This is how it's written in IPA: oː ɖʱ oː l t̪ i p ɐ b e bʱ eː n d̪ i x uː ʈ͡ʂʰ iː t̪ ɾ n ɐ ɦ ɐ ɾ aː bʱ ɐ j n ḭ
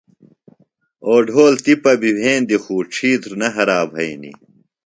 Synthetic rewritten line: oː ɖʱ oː l t̪ i p ɐ b i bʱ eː n d̪ i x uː ʈ͡ʂʰ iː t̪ ɾ n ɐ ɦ ɐ ɾ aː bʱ ɐ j n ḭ